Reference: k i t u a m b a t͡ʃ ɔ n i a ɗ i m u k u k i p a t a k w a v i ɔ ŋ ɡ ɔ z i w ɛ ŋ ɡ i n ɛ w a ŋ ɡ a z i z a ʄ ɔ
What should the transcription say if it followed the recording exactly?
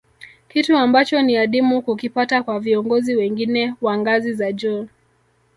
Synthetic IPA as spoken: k i t u a m b a t͡ʃ ɔ n i a ɗ i m u k u k i p a t a k w a v i ɔ ŋ ɡ ɔ z i w ɛ ŋ ɡ i n ɛ w a ŋ ɡ a z i z a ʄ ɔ